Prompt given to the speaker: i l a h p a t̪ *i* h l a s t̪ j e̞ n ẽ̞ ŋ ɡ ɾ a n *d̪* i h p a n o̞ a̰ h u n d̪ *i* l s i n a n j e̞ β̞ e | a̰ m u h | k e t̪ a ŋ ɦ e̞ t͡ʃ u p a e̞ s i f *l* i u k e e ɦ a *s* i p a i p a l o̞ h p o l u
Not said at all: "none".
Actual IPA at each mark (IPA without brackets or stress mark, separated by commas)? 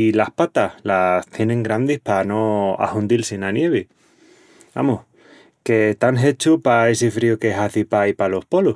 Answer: a, d̪, i, ɾ, θ